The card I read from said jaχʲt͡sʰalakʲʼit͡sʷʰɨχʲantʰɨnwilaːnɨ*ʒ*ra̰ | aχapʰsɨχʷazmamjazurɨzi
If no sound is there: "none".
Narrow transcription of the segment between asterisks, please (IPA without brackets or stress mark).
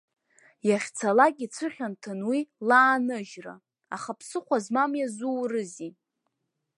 ʒ